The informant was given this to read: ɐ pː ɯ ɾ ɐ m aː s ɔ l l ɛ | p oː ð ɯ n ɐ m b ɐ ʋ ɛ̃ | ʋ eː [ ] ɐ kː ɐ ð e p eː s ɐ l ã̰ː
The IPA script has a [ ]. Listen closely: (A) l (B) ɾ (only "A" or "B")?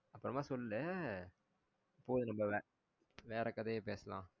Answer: B